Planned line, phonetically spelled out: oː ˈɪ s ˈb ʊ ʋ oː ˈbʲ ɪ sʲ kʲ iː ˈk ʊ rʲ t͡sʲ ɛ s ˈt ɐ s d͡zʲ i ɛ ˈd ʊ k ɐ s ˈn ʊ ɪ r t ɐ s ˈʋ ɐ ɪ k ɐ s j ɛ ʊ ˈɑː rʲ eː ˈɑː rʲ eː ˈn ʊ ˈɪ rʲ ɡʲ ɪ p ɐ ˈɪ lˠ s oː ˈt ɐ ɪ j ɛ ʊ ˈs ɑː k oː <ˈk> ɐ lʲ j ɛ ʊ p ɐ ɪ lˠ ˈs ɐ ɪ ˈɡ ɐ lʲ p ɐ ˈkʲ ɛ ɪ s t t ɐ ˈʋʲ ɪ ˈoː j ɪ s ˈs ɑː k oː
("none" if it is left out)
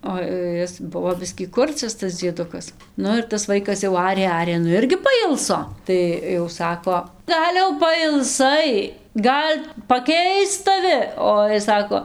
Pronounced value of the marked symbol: ɡ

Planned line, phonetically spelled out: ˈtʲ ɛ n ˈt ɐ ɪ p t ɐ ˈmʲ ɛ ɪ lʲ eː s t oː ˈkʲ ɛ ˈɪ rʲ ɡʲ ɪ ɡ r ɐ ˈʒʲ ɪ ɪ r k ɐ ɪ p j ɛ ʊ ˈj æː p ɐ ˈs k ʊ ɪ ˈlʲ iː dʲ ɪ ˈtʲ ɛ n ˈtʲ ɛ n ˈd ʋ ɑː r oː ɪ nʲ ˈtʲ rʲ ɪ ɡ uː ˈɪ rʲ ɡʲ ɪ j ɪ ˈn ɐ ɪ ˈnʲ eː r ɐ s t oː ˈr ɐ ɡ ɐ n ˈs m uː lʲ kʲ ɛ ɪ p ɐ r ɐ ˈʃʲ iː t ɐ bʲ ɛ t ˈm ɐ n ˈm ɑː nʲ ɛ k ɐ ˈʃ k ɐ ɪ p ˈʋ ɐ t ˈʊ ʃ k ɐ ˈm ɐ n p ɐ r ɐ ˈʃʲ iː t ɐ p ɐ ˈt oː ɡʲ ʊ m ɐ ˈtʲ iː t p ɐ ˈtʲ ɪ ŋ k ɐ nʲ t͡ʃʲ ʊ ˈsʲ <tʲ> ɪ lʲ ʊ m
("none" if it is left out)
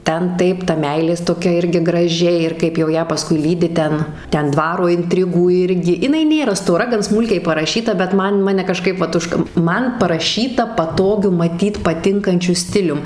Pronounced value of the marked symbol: tʲ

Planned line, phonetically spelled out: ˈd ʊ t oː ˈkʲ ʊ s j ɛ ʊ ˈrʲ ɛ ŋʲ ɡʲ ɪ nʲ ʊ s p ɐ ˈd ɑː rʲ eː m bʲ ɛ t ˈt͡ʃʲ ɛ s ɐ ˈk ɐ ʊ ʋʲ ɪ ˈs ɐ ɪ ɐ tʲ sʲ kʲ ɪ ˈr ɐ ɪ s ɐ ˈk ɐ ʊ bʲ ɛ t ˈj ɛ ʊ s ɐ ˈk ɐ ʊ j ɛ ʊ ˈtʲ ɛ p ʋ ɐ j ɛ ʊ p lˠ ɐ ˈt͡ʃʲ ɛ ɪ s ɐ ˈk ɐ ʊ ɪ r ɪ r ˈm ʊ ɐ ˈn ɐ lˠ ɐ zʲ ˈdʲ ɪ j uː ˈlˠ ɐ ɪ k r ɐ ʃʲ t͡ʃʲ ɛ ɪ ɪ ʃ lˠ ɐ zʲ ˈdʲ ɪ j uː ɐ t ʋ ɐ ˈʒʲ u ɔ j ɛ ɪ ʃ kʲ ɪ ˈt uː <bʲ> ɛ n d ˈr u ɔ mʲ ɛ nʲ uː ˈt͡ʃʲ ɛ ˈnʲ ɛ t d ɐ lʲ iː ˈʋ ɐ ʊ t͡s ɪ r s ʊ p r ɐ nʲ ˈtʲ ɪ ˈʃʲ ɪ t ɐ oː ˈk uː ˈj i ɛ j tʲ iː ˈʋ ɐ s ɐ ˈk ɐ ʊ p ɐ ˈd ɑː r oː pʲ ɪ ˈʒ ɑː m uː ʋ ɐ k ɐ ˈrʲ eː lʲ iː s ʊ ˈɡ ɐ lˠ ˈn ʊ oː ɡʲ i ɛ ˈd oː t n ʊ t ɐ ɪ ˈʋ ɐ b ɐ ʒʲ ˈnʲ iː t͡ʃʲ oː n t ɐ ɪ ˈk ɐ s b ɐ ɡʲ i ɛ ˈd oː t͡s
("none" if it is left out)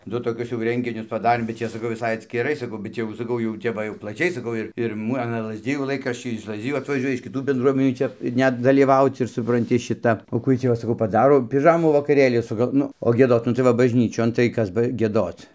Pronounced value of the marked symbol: bʲ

